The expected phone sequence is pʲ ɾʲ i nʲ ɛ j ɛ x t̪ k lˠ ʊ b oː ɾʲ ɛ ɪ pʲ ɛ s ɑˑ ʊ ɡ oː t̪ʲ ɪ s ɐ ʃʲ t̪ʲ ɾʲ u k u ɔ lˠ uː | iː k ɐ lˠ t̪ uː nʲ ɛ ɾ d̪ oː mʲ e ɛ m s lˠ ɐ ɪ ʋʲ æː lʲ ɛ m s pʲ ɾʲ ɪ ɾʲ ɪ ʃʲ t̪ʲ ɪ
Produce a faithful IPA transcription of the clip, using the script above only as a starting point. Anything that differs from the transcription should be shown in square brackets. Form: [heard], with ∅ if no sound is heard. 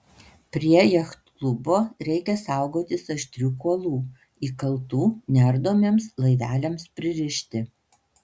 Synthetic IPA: pʲ ɾʲ i [∅] ɛ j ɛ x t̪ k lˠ ʊ b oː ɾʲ ɛ ɪ [kʲ] ɛ s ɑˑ ʊ ɡ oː t̪ʲ ɪ s ɐ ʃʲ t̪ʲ ɾʲ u k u ɔ lˠ uː | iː k ɐ lˠ t̪ uː nʲ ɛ ɾ d̪ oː mʲ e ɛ m s lˠ ɐ ɪ ʋʲ æː lʲ ɛ m s pʲ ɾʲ ɪ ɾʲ ɪ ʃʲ t̪ʲ ɪ